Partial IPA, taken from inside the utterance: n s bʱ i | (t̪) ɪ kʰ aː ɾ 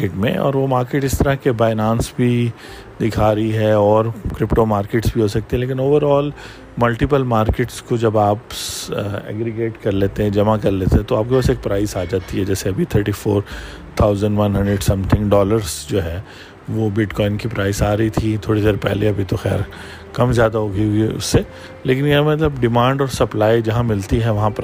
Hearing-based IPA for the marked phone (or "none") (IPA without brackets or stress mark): d̪